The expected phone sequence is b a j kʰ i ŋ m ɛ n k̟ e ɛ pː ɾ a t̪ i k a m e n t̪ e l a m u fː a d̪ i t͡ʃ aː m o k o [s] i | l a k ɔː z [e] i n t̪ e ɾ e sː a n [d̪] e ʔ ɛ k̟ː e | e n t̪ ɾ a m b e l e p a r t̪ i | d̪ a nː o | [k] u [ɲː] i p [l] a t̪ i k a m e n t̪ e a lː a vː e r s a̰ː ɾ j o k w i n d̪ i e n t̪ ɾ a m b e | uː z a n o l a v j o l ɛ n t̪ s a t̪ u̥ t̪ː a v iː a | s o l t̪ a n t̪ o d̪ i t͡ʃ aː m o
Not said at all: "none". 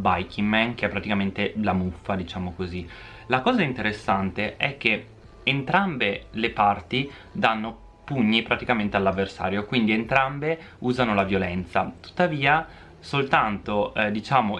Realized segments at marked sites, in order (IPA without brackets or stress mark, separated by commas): z, a, t̪, p, ɲː, ɾ